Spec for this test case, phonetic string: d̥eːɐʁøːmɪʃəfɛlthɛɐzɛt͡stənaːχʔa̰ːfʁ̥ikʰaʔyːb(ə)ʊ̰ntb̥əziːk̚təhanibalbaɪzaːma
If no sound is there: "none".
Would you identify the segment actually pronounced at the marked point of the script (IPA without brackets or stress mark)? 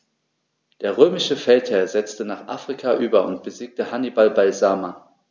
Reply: ɐ